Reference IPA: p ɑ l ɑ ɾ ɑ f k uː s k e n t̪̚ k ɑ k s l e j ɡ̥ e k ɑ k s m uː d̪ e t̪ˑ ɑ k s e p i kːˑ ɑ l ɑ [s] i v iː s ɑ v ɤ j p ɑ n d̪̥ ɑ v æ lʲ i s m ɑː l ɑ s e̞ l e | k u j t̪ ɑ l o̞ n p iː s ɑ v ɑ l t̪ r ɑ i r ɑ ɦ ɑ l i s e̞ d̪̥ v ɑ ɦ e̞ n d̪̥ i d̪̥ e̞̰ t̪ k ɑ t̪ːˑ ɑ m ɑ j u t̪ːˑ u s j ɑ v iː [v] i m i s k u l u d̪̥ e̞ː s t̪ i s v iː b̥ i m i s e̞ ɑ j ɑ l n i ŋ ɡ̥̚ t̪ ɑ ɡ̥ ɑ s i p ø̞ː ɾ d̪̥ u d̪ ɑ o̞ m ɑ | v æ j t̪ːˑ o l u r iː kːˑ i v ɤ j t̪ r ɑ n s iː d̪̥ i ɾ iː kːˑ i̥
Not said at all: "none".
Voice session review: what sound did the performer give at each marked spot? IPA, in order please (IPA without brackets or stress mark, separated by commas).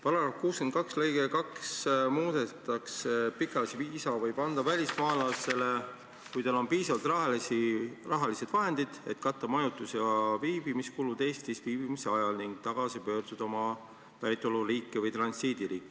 s, b